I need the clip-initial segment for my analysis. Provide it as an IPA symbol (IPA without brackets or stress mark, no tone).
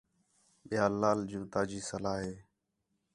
ɓ